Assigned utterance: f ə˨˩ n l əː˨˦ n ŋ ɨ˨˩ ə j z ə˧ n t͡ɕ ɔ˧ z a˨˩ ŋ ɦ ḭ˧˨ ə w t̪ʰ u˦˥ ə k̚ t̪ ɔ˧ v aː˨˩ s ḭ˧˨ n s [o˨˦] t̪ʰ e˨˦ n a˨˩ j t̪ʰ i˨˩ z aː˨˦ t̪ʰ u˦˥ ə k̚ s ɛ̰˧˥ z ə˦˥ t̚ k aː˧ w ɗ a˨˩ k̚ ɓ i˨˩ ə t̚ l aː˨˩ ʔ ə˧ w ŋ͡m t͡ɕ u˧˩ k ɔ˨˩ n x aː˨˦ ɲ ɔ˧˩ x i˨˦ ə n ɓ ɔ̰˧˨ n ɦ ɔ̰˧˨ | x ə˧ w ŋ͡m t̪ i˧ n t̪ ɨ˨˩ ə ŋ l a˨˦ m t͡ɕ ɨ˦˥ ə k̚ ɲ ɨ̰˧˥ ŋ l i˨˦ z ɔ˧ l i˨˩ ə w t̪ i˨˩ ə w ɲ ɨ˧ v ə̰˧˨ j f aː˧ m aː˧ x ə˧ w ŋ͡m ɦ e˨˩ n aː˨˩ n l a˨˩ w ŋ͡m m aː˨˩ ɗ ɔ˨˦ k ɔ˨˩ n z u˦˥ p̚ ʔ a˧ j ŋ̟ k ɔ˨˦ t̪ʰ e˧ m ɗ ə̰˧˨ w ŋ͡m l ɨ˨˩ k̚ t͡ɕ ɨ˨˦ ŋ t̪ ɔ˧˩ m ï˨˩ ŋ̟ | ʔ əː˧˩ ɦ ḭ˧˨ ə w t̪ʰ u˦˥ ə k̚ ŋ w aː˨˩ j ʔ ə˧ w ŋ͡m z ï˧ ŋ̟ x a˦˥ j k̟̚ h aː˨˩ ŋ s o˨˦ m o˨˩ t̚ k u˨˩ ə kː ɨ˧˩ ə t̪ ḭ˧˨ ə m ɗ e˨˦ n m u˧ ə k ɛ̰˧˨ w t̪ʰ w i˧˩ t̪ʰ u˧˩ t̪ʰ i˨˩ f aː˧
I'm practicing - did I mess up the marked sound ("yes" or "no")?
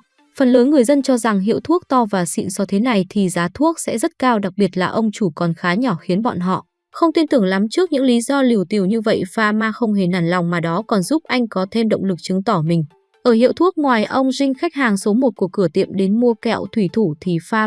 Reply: yes